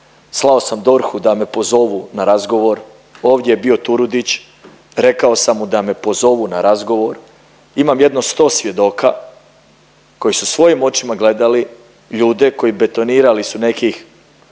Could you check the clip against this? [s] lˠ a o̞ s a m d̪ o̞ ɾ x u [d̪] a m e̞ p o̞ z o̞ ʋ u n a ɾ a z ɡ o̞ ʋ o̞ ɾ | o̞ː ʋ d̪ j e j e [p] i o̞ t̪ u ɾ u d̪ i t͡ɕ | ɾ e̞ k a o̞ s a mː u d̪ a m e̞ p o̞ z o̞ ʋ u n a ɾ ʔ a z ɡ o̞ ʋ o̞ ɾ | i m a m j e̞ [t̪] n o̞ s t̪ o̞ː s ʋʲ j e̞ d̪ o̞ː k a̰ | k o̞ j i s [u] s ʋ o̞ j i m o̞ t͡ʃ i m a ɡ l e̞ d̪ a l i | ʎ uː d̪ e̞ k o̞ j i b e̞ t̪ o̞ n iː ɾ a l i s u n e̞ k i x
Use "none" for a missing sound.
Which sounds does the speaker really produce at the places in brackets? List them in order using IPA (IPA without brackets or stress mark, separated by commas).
s, d̪, b, d̪, u